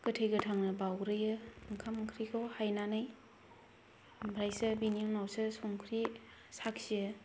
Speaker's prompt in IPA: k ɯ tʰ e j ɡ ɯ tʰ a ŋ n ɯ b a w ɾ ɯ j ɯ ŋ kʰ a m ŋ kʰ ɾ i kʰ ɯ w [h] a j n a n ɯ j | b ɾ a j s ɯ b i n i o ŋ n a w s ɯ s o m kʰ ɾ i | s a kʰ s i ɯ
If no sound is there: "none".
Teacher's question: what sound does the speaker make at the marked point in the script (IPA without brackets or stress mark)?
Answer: h